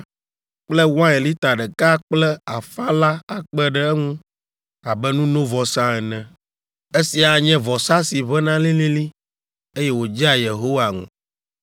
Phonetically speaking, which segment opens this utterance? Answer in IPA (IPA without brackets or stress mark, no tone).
k͡p